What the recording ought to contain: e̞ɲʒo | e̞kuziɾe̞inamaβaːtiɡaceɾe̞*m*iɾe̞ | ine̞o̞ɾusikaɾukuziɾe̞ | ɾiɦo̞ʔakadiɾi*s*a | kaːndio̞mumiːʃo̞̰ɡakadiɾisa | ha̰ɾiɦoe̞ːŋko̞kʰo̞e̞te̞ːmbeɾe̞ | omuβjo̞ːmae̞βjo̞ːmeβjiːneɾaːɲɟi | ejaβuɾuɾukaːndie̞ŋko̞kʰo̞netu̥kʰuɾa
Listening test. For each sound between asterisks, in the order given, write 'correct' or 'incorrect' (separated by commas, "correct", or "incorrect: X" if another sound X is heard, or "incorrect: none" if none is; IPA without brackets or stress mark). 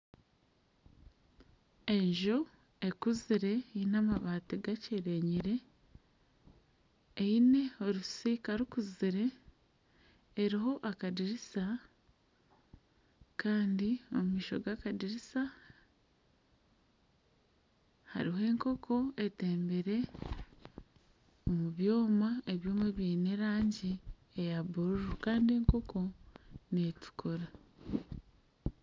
incorrect: ɲ, correct